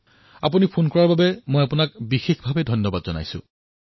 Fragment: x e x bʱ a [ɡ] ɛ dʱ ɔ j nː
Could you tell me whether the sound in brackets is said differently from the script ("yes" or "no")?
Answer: yes